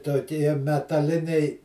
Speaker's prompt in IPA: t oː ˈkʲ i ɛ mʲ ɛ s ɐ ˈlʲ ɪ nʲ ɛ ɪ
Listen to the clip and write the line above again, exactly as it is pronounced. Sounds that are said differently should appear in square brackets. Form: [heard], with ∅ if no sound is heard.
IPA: t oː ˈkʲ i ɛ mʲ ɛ [t] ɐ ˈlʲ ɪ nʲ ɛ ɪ